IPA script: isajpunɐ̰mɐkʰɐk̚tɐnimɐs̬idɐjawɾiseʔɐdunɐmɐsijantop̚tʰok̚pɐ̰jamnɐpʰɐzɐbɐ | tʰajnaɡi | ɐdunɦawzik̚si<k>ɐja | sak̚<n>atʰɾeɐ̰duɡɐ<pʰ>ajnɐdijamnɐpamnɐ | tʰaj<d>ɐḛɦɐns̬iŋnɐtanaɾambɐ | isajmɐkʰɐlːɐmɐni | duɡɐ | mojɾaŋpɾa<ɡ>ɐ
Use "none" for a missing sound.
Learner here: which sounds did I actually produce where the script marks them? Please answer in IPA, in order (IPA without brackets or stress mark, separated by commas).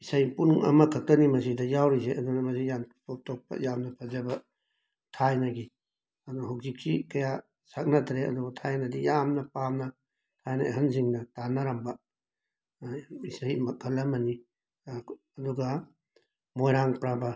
k, n, tʰ, n, b